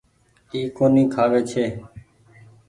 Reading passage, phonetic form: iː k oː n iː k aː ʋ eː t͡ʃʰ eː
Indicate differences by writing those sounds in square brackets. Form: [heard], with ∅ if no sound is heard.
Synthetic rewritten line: iː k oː n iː [kʰ] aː ʋ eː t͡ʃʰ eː